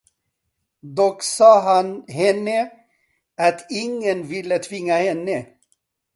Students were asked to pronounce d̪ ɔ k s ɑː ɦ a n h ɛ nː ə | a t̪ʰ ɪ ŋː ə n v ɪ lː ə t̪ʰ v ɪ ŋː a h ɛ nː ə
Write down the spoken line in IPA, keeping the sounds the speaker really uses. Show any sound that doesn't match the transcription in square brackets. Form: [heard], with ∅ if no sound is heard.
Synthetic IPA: d̪ ɔ k s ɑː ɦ a n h ɛ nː ə | a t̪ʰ ɪ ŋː ə n v ɪ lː ə t̪ʰ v ɪ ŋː a h ɛ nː ə